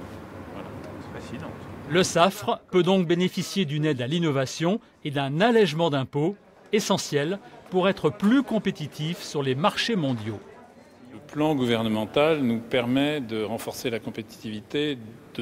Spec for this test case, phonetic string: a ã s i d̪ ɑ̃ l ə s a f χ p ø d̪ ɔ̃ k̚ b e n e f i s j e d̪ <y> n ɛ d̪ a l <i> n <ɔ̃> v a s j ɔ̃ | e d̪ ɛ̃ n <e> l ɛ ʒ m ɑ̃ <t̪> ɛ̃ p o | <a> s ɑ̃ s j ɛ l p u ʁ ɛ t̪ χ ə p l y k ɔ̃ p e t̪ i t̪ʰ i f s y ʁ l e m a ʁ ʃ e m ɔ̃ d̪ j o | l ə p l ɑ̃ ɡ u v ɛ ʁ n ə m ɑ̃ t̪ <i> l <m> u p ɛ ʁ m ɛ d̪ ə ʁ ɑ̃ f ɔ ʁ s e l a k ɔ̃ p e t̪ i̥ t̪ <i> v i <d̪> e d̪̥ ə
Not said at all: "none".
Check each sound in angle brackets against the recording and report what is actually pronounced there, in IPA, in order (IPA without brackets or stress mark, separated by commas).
y, i, ɔ, a, d̪, e, a, n, i, t̪